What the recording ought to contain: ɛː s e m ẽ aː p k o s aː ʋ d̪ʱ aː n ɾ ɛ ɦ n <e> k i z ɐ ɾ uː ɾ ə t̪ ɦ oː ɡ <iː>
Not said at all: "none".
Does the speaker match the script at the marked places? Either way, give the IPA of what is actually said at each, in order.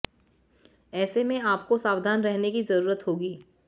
e, iː

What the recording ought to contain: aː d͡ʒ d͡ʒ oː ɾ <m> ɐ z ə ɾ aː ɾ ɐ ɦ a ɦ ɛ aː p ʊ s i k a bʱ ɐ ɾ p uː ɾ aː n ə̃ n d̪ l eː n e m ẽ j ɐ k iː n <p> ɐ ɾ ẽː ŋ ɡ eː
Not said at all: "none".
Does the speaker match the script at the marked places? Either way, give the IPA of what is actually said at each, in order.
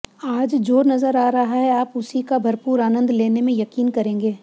n, k

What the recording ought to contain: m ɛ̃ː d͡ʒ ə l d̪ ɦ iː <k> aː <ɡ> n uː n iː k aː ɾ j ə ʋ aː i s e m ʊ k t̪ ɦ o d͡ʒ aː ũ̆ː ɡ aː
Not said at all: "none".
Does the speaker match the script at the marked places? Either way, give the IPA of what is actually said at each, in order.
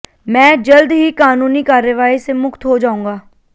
k, none

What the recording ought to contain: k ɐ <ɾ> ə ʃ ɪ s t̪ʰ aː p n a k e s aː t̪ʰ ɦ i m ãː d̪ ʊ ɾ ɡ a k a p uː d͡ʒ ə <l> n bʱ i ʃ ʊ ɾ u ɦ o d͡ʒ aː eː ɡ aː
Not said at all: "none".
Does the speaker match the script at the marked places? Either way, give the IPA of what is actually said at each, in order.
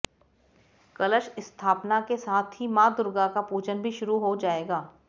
l, none

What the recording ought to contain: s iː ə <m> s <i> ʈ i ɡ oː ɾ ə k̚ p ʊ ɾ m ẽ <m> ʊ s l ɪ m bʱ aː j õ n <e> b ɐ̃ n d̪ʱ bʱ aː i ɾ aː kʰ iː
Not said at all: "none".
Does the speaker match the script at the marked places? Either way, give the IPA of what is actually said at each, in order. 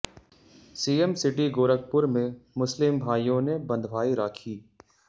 m, ɪ, m, e

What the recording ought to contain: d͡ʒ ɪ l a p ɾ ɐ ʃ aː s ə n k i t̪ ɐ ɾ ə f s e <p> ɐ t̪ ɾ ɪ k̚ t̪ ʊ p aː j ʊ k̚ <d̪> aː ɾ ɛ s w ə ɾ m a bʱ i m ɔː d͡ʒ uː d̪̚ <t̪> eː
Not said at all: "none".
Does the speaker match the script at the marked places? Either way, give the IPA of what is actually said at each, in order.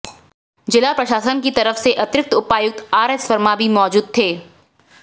ʔ, t̪, t̪ʰ

